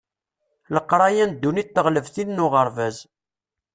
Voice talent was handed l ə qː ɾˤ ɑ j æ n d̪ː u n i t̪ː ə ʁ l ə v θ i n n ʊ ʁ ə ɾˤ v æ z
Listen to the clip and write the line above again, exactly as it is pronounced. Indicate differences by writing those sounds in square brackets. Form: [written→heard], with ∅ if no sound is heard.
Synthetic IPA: l ə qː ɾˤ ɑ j æ n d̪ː u n i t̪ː ə ʁ l ə v θ i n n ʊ ʁ ə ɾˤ v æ z